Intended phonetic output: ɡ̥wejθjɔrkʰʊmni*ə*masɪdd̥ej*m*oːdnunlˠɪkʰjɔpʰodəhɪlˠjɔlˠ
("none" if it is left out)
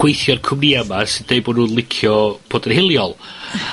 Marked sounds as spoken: a, b

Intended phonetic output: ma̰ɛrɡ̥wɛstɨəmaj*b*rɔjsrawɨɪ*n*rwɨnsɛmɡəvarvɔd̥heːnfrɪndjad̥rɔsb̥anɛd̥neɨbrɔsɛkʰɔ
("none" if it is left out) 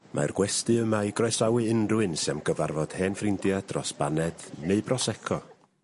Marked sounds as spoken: ɡ, n

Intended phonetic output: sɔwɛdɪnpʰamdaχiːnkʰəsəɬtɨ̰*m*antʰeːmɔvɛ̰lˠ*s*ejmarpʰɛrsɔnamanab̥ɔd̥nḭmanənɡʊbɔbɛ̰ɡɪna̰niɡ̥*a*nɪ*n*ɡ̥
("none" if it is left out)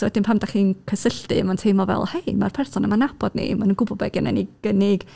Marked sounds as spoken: m, h, ə, none

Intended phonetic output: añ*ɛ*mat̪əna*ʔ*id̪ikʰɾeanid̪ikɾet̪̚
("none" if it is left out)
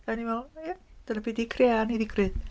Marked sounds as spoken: i, p

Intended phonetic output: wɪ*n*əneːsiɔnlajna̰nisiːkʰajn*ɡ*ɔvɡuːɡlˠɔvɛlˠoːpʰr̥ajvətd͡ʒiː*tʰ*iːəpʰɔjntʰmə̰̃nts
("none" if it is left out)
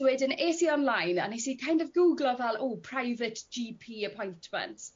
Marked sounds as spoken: d, d, pʰ

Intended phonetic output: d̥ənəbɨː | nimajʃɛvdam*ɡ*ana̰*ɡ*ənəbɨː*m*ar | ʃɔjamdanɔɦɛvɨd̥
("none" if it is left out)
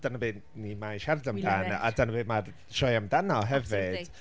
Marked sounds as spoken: d, d, m

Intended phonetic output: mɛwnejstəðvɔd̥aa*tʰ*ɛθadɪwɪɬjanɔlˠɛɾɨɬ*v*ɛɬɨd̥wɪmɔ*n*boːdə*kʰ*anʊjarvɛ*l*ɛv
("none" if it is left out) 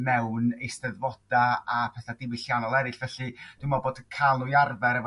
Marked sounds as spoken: pʰ, v, none, kʰ, ɾ

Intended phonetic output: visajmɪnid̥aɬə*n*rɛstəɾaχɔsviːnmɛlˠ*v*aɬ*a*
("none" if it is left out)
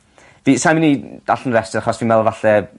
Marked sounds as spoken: n, v, ɛ

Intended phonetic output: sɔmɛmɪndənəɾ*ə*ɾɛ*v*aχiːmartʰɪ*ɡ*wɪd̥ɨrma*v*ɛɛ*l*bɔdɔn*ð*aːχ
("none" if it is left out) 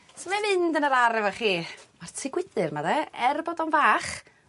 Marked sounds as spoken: a, v, ɡ, ð, r, v

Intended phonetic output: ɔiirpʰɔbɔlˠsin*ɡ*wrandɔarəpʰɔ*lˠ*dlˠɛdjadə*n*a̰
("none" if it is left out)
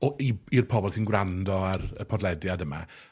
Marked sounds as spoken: ɡ, none, m

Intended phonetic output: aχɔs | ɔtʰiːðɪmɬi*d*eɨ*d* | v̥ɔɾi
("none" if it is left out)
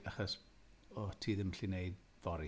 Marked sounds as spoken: n, d

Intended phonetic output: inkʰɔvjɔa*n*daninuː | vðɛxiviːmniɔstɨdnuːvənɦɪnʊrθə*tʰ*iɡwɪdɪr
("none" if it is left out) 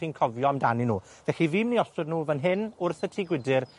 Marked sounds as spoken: m, tʰ

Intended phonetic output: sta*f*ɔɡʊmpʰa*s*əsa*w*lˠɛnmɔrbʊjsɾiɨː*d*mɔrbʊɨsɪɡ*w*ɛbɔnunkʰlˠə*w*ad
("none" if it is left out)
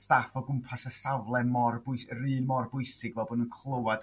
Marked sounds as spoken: f, s, v, n, v, w

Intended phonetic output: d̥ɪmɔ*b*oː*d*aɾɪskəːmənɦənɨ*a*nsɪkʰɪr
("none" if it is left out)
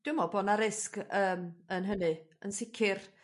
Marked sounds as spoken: b, n, ə

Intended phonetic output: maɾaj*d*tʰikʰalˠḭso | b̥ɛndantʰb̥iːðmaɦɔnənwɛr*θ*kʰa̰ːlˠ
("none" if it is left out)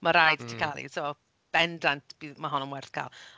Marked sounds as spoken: d, θ

